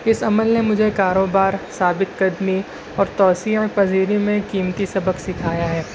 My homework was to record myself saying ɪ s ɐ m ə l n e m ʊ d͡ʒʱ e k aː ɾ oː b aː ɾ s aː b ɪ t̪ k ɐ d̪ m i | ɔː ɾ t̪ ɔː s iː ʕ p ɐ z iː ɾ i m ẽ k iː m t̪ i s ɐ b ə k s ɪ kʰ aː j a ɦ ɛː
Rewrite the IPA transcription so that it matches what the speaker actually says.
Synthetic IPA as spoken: ɪ s ɐ m ə l n e m ʊ d͡ʒʱ e k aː ɾ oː b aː ɾ s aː b ɪ t̪ k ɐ d̪ m i | ɔː ɾ t̪ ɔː s iː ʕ p ɐ z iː ɾ i m ẽ k iː m t̪ i s ɐ b ə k s ɪ kʰ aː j a ɦ ɛː